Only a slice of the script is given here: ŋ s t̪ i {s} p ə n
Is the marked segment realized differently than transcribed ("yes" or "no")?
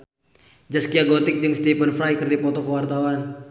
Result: yes